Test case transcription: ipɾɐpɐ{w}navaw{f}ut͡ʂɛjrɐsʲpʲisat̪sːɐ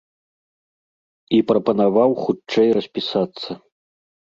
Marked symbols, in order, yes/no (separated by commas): no, no